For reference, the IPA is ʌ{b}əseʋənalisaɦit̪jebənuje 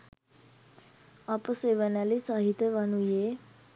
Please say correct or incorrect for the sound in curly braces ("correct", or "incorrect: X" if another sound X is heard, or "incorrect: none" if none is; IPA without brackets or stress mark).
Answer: incorrect: p